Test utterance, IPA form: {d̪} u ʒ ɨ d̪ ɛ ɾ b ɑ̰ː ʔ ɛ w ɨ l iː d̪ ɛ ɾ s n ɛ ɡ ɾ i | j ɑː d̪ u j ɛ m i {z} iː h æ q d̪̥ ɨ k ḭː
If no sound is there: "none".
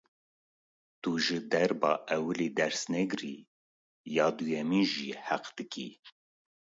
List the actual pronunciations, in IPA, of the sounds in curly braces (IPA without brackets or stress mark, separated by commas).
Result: t̪, ʒ